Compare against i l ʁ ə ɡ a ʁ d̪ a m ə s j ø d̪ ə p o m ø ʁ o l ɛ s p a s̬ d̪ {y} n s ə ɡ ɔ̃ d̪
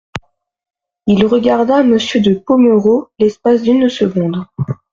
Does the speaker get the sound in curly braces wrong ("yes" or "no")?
no